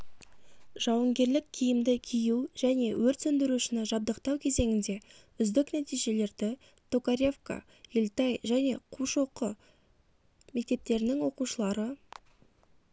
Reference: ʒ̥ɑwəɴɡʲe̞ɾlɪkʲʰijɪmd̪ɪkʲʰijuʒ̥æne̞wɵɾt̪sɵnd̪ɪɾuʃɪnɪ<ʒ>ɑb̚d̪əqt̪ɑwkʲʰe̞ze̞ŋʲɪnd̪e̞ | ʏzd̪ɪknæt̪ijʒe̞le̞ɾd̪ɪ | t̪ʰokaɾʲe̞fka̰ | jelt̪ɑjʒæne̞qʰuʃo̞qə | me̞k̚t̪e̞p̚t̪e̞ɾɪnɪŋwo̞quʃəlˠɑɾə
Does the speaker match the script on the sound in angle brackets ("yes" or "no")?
yes